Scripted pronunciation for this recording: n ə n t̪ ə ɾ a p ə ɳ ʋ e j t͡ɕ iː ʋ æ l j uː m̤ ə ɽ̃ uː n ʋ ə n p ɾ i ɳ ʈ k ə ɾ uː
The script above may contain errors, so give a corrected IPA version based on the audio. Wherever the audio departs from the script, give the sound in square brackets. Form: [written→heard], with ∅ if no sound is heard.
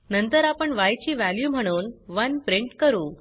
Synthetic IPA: n ə n t̪ ə ɾ a p ə ɳ ʋ [e→a] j t͡ɕ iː ʋ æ l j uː m̤ ə ɽ̃ uː n ʋ ə n p ɾ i ɳ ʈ k ə ɾ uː